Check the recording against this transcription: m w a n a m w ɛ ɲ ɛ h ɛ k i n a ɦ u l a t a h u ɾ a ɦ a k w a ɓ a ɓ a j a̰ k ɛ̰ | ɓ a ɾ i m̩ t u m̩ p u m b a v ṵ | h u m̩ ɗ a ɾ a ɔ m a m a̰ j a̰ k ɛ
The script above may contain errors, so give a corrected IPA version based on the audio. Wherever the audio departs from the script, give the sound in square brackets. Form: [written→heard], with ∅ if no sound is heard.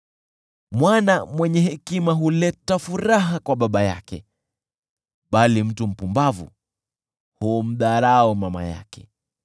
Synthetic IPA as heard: m w a n a m w ɛ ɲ ɛ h ɛ k i [n→m] a ɦ u l [a→ɛ] t a [h→f] u ɾ a ɦ a k w a ɓ a ɓ a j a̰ k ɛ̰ | ɓ a [ɾ→l] i m̩ t u m̩ p u m b a v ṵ | h u m̩ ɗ a ɾ a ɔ m a m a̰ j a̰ k ɛ